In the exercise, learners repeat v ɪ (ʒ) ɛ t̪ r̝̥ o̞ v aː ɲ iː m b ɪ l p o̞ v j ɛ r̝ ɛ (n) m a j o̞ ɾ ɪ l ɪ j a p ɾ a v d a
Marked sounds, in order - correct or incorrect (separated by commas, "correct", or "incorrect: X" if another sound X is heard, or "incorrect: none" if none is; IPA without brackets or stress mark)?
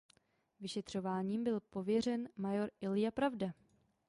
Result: incorrect: ʃ, correct